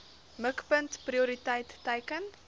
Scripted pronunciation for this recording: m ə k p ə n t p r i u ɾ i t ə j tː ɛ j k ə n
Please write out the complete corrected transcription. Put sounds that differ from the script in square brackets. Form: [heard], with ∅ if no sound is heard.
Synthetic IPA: m ə k p ə n t p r i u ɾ i t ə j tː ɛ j k ə n